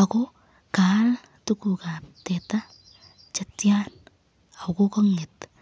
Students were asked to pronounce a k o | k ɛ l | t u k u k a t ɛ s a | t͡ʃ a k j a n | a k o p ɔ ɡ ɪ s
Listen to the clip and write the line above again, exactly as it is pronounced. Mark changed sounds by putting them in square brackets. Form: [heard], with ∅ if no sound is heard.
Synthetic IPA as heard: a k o | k [a] l | t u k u k a t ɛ [t] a | t͡ʃ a [t] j a n | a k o [k] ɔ [ŋ] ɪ [t]